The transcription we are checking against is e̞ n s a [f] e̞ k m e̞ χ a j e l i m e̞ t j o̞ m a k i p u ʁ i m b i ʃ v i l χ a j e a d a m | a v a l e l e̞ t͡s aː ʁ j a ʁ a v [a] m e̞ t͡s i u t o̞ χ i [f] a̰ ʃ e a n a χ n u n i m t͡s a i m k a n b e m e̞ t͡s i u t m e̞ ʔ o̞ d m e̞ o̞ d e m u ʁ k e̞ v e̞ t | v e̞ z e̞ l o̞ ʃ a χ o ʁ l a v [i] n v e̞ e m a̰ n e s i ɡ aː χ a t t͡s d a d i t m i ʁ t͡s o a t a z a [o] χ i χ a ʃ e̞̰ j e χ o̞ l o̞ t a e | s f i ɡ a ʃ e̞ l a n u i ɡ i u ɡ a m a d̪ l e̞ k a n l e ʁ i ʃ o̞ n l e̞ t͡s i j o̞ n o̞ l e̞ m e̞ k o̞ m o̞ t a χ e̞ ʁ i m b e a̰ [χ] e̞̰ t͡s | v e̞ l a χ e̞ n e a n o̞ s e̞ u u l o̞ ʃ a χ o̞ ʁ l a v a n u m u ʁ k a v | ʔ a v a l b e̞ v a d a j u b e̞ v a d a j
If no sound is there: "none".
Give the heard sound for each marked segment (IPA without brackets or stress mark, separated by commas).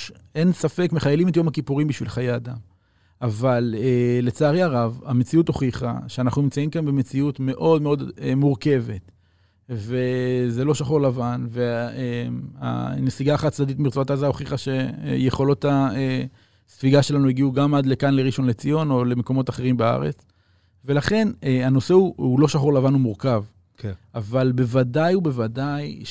f, a, χ, a, o, ʁ